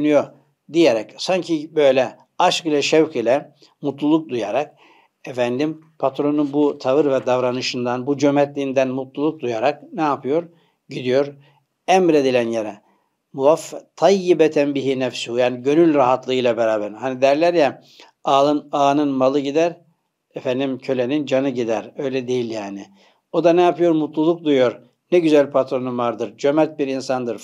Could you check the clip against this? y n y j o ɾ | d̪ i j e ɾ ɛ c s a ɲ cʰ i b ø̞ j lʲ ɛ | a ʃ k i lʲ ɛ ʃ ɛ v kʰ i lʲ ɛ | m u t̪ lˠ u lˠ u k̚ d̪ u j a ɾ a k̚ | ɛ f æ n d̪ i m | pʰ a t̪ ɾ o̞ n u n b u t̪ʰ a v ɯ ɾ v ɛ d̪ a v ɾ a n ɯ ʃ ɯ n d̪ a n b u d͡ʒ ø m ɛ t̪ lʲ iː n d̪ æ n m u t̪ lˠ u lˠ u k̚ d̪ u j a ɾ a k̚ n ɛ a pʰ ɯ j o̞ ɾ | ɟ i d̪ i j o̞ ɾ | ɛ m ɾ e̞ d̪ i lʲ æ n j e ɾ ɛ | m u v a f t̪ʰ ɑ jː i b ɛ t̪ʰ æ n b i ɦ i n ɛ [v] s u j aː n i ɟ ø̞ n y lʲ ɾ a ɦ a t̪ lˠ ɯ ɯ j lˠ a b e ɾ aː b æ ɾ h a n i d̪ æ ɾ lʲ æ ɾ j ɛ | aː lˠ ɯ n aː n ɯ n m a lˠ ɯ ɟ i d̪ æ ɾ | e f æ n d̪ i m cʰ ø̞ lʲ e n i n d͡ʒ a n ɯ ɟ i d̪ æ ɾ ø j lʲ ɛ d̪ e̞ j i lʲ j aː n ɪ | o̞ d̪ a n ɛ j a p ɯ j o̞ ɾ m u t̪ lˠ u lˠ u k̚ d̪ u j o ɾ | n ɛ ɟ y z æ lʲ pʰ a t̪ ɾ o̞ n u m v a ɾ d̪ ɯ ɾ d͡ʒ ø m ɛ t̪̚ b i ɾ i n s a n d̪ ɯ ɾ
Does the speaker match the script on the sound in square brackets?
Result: no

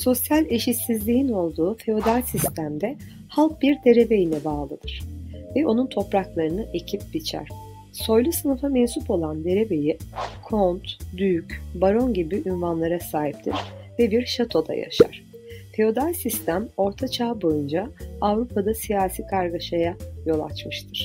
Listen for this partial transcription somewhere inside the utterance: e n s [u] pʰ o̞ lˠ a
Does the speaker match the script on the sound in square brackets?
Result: yes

